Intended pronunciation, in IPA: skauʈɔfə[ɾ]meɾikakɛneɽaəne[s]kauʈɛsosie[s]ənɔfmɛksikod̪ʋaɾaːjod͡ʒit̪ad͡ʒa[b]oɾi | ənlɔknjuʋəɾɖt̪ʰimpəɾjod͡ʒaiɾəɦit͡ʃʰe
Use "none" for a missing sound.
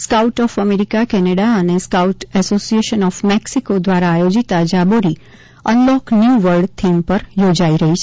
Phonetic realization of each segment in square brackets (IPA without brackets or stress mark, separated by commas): none, s, ʃ, b